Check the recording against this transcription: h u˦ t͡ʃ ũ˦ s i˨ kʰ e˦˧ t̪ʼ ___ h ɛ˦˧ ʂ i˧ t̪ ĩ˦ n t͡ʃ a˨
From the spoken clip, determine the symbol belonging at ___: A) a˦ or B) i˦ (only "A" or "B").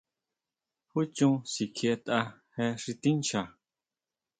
A